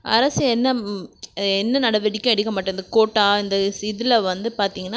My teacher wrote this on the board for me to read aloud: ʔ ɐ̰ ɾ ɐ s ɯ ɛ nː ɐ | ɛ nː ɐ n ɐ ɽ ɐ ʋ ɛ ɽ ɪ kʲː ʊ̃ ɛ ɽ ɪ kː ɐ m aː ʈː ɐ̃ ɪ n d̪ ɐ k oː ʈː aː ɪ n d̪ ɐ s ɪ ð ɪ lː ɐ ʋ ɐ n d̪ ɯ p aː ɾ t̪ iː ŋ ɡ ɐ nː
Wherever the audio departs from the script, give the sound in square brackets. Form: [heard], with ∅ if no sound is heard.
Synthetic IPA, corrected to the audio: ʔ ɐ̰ ɾ ɐ s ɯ ɛ nː ɐ | ɛ nː ɐ n ɐ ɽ ɐ ʋ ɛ ɽ ɪ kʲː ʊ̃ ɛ ɽ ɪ kː ɐ m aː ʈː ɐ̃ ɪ n d̪ ɐ k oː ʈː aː ɪ n d̪ ɐ s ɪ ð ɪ [l] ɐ ʋ ɐ n d̪ ɯ p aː ɾ t̪ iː ŋ ɡ ɐ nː